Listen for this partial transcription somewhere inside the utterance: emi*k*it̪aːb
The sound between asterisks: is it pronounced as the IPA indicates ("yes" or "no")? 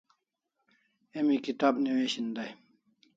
yes